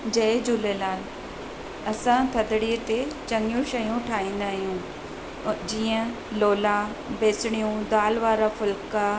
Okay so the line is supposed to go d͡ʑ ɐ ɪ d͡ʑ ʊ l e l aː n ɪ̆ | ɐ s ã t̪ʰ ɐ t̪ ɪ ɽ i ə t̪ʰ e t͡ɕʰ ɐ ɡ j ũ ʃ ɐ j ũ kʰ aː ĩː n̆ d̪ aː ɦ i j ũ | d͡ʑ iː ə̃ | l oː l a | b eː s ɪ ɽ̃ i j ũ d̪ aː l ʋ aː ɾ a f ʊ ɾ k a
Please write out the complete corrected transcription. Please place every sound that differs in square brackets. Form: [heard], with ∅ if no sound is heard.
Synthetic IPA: d͡ʑ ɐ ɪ d͡ʑ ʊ l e l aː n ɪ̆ | ɐ s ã t̪ʰ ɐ [d̪] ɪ ɽ i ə [t̪] e [t͡ɕ] ɐ [ŋ] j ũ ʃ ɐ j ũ [ʈʰ] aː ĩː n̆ d̪ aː ɦ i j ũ | d͡ʑ iː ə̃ | l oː l a | b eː s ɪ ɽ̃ i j ũ d̪ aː l ʋ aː ɾ a f ʊ [l] k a

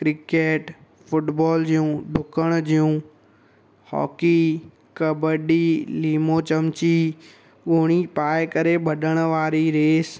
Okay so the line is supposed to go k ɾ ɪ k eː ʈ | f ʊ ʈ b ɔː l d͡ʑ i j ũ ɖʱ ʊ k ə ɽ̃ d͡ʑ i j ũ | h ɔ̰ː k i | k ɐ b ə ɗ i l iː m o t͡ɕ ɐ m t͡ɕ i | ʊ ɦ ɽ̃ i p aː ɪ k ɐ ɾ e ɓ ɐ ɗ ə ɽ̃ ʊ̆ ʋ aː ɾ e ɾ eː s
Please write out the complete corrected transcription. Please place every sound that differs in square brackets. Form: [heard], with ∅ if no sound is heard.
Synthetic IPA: k ɾ ɪ k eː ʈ | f ʊ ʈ b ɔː l d͡ʑ i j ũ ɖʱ ʊ k ə ɽ̃ d͡ʑ i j ũ | h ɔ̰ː k i | k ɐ b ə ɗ i l iː m o t͡ɕ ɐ m t͡ɕ i | ʊ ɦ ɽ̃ i p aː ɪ k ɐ ɾ e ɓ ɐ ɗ ə ɽ̃ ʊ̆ ʋ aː ɾ [i] ɾ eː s

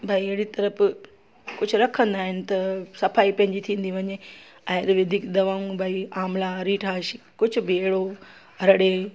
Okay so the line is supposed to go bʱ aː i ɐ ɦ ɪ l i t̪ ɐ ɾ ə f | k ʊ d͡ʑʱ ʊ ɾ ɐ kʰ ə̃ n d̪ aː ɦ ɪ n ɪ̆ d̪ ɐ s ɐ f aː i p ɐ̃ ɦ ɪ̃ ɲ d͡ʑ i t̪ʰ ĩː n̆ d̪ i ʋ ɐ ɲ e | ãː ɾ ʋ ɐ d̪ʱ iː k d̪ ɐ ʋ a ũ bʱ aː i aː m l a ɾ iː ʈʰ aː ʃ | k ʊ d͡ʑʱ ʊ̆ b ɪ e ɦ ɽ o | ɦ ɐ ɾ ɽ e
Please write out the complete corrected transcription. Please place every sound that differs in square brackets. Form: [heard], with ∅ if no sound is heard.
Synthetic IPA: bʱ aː i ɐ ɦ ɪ [ɽ] i t̪ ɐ ɾ ə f | k ʊ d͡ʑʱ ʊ ɾ ɐ kʰ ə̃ n d̪ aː ɦ ɪ n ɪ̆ [t̪] ɐ s ɐ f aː i p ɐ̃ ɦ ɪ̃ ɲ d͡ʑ i t̪ʰ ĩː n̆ d̪ i ʋ ɐ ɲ e | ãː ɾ ʋ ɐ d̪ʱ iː k d̪ ɐ ʋ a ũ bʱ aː i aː m l a ɾ iː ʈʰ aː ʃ | k ʊ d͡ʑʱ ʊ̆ b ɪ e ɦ ɽ o | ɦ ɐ ɾ ɽ e

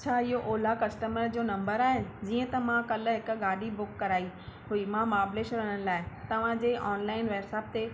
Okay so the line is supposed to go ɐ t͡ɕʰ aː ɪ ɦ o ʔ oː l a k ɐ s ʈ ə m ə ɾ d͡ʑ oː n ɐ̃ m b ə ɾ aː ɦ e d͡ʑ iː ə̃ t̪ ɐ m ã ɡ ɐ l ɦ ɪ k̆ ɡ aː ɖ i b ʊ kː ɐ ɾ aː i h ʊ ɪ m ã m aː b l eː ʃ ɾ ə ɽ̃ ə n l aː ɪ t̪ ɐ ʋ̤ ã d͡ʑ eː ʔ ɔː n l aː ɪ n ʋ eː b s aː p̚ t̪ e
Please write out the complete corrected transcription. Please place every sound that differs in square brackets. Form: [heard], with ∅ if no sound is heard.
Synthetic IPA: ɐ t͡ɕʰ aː ɪ ɦ o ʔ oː l a k ɐ s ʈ ə m ə ɾ d͡ʑ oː n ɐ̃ m b ə ɾ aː ɦ e d͡ʑ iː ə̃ t̪ ɐ m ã [k] ɐ l ɦ ɪ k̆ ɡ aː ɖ i b ʊ kː ɐ ɾ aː i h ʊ [i] m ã m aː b l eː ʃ ɾ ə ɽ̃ ə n l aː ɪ t̪ ɐ ʋ̤ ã d͡ʑ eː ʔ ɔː n l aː ɪ n ʋ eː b s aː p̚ t̪ e

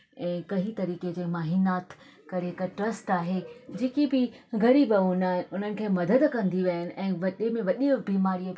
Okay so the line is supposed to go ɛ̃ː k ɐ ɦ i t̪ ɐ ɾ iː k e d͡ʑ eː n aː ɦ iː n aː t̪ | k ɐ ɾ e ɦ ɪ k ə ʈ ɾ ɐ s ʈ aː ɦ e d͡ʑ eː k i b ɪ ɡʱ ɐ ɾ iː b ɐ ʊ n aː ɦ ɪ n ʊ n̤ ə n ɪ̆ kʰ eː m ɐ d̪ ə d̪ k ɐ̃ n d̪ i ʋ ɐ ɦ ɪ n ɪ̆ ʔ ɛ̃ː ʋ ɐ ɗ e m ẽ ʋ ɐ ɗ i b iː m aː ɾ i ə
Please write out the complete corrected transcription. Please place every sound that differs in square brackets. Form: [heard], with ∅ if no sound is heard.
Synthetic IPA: ɛ̃ː k ɐ ɦ i t̪ ɐ ɾ iː k e d͡ʑ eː [m] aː ɦ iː n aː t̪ | k ɐ ɾ e ɦ ɪ k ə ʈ ɾ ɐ s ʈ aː ɦ e d͡ʑ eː k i b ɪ ɡʱ ɐ ɾ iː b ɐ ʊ n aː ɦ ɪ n ʊ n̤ ə n ɪ̆ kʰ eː m ɐ d̪ ə d̪ k ɐ̃ n d̪ i ʋ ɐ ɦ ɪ n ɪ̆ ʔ ɛ̃ː ʋ ɐ ɗ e m ẽ ʋ ɐ ɗ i b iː m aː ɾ i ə

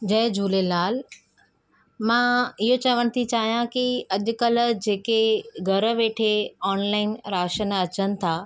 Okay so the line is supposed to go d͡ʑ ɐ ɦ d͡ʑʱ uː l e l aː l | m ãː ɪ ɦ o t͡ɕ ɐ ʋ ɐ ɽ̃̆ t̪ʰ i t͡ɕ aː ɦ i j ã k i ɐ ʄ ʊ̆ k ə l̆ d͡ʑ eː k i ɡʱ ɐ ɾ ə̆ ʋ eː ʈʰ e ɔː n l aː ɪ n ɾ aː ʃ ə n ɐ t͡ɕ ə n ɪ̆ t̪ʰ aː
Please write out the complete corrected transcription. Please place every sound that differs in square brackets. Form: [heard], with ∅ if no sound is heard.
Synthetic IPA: d͡ʑ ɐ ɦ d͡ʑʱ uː l e l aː l | m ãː ɪ ɦ o t͡ɕ ɐ ʋ [ə] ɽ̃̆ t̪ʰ i t͡ɕ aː ɦ i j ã k i ɐ ʄ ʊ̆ k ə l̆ d͡ʑ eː k [e] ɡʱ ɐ ɾ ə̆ ʋ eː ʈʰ e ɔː n l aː ɪ n ɾ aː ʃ ə n ɐ t͡ɕ ə n ɪ̆ t̪ʰ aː

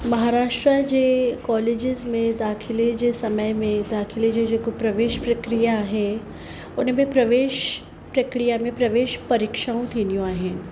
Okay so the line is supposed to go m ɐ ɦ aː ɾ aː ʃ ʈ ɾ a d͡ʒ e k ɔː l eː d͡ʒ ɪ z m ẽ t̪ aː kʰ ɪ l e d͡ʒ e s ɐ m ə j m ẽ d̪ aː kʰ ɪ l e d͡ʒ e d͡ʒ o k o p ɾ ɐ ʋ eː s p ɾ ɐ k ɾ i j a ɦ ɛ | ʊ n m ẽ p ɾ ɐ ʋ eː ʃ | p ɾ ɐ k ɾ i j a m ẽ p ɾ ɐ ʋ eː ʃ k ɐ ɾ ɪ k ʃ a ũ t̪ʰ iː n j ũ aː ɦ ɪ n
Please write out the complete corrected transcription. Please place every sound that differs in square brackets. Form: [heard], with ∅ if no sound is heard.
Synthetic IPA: m ɐ ɦ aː ɾ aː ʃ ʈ ɾ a d͡ʒ e k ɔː l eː d͡ʒ ɪ z m ẽ [d̪] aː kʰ ɪ l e d͡ʒ e s ɐ m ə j m ẽ d̪ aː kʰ ɪ l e d͡ʒ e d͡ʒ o k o p ɾ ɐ ʋ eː [ʃ] p ɾ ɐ k ɾ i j a ɦ ɛ | ʊ n m ẽ p ɾ ɐ ʋ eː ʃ | p ɾ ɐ k ɾ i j a m ẽ p ɾ ɐ ʋ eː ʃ [p] ɐ ɾ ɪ k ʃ a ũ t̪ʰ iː n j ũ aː ɦ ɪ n

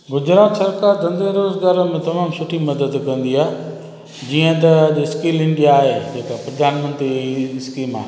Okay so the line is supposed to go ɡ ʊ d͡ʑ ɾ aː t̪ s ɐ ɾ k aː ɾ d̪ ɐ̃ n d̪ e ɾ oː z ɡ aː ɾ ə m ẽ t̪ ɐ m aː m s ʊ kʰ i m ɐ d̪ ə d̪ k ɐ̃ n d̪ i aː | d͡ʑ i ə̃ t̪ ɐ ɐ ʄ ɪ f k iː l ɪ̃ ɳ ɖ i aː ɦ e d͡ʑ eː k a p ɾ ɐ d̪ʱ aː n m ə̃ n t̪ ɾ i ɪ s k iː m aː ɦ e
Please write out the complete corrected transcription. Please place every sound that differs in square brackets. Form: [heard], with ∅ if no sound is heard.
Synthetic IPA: ɡ ʊ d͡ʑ ɾ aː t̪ s ɐ ɾ k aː ɾ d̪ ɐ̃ n d̪ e ɾ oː z ɡ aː ɾ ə m ẽ t̪ ɐ m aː m s ʊ [ʈʰ] i m ɐ d̪ ə d̪ k ɐ̃ n d̪ i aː | d͡ʑ i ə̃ t̪ ɐ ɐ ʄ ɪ [s] k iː l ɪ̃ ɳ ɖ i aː ɦ e d͡ʑ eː k a p ɾ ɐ d̪ʱ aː n m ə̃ n t̪ ɾ i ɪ s k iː m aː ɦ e

